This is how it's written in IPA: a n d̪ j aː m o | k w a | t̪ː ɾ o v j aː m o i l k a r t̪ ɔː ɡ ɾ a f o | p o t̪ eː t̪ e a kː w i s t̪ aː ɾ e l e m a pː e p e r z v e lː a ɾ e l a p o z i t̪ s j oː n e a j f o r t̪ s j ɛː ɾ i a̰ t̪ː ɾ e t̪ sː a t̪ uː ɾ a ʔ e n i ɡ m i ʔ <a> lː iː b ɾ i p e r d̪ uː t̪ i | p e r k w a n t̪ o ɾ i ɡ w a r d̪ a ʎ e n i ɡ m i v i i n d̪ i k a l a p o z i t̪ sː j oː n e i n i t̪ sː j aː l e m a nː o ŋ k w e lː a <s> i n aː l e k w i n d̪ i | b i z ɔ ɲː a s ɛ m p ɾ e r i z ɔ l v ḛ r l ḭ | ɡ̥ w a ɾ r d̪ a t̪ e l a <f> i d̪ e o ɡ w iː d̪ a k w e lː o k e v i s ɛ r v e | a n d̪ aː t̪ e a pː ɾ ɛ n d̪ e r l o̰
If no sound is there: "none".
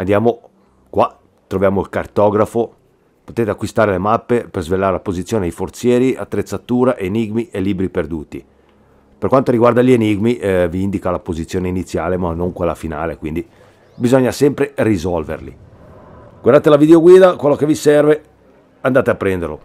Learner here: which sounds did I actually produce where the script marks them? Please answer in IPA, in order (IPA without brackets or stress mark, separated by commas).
e, f, v